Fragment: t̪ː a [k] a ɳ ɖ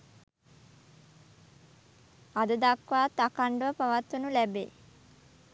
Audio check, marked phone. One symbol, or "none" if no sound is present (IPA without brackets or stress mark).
k